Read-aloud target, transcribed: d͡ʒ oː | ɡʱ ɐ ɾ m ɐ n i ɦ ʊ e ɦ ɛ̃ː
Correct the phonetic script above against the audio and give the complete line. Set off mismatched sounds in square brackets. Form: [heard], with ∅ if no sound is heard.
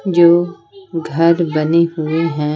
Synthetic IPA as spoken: d͡ʒ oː | ɡʱ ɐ ɾ [b] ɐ n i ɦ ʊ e ɦ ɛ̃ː